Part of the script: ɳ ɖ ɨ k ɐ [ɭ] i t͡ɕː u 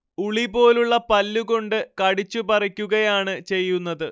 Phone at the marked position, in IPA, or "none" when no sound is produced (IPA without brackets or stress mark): ɽ